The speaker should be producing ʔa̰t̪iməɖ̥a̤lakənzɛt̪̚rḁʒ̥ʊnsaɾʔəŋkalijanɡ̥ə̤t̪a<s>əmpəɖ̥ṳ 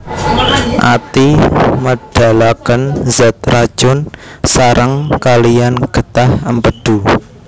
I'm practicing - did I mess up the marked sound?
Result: yes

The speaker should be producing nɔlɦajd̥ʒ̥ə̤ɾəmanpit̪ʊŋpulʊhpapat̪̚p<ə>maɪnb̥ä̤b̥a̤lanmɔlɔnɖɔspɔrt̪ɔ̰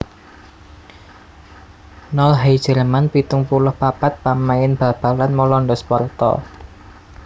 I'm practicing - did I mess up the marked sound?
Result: yes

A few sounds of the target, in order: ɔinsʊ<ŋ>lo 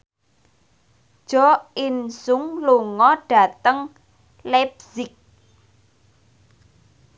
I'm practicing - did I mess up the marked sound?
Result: no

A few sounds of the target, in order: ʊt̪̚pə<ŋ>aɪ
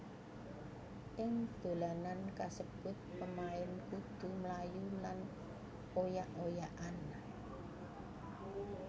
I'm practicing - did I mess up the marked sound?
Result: yes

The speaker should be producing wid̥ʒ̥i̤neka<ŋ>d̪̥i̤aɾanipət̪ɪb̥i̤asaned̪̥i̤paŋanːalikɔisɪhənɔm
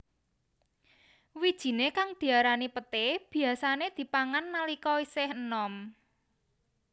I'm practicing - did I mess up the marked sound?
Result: no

